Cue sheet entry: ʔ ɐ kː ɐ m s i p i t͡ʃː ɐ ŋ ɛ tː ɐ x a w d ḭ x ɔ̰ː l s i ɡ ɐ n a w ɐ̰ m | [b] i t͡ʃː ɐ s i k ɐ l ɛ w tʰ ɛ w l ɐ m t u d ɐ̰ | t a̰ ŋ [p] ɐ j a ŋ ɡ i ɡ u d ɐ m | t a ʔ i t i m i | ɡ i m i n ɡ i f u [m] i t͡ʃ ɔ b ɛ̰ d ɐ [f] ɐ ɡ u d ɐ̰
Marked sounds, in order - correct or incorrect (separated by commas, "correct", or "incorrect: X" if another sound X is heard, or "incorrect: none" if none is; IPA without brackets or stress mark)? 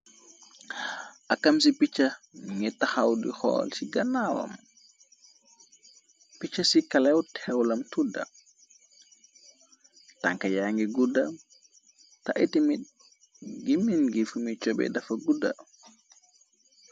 incorrect: p, incorrect: k, correct, correct